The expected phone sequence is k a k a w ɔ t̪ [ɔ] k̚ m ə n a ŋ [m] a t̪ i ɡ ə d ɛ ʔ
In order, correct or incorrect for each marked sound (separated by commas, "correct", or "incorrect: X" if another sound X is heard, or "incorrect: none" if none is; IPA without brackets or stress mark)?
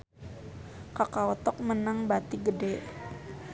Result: correct, incorrect: b